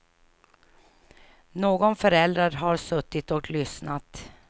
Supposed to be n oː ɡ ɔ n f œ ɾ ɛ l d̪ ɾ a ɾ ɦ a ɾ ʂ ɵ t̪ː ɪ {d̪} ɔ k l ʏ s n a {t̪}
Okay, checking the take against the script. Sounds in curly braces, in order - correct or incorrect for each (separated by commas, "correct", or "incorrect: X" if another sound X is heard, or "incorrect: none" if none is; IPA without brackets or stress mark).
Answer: incorrect: t̪, correct